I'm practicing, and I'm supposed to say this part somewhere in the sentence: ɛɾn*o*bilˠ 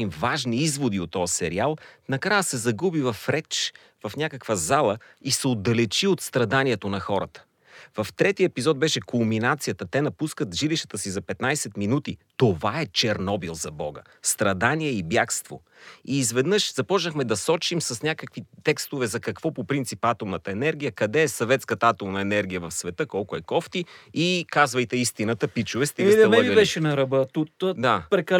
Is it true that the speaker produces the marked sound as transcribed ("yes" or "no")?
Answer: no